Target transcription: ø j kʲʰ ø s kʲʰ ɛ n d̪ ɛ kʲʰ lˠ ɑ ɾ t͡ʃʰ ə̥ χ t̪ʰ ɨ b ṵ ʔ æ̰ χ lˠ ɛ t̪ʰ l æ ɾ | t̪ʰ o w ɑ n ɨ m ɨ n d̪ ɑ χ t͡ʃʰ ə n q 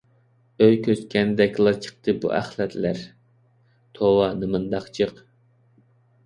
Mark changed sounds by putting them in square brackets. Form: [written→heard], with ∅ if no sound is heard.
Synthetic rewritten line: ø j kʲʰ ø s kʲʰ ɛ n d̪ ɛ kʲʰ lˠ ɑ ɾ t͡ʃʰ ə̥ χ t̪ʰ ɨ b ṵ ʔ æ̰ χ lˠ ɛ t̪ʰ l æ ɾ | t̪ʰ o w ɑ n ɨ m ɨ n d̪ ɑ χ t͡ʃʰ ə [n→∅] q